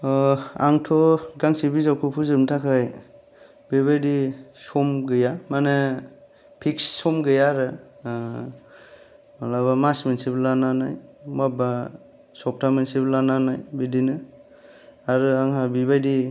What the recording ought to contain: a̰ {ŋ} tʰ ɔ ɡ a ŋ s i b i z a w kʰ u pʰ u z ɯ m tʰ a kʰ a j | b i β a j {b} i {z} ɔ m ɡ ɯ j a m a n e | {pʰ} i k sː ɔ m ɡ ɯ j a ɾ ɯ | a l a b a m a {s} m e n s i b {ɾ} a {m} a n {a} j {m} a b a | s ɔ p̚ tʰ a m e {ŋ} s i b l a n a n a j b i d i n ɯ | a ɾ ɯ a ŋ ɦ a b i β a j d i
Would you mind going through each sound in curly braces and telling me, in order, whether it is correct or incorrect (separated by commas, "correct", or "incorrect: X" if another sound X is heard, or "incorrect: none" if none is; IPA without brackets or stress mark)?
correct, incorrect: d, incorrect: s, correct, correct, incorrect: l, incorrect: n, correct, correct, incorrect: n